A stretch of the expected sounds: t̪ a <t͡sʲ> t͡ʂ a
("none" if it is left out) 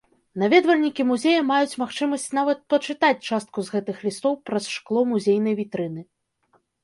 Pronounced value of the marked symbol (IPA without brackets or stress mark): t͡sʲ